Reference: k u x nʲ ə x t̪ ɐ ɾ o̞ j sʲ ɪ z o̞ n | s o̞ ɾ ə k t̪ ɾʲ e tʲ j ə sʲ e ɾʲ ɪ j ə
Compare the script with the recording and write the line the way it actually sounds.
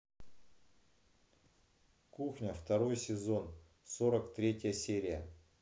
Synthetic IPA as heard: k u x nʲ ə f t̪ ɐ ɾ o̞ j sʲ ɪ z o̞ n | s o̞ ɾ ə k t̪ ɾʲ e tʲ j ə sʲ e ɾʲ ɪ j ə